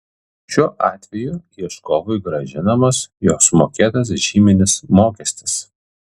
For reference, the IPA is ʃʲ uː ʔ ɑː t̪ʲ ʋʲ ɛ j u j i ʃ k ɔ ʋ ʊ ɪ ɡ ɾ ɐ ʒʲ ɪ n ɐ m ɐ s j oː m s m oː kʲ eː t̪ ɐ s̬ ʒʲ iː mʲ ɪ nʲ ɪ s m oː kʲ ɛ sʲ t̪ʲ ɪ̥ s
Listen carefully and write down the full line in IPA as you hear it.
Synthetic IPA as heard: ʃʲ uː ʔ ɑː t̪ʲ ʋʲ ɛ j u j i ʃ k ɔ ʋ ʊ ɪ ɡ ɾ ɐ ʒʲ ɪ n ɐ m ɐ s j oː s m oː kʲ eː t̪ ɐ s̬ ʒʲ iː mʲ ɪ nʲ ɪ s m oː kʲ ɛ sʲ t̪ʲ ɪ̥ s